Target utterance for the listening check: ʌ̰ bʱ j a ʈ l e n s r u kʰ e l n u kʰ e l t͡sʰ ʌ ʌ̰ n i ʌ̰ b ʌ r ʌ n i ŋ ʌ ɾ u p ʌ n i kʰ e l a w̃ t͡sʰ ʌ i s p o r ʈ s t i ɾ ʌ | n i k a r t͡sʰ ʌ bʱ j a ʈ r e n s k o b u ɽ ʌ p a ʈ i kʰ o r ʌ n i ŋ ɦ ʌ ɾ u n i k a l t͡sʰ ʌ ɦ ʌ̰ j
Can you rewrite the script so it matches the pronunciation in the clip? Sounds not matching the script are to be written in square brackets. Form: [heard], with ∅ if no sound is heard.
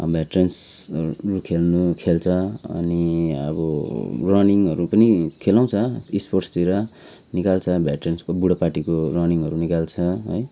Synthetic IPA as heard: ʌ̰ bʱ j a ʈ [r] e n s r u kʰ e l n u kʰ e l t͡sʰ ʌ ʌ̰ n i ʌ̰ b ʌ r ʌ n i ŋ ʌ ɾ u p ʌ n i kʰ e l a w̃ t͡sʰ ʌ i s p o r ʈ s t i ɾ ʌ | n i k a [l] t͡sʰ ʌ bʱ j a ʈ r e n s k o b u ɽ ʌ p a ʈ i [k] o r ʌ n i ŋ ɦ ʌ ɾ u n i k a l t͡sʰ ʌ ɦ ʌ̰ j